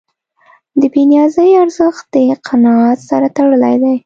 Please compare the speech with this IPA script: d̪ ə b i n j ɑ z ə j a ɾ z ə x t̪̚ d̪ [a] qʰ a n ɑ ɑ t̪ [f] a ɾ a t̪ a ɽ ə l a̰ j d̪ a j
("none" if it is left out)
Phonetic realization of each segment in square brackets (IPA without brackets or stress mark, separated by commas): ə, s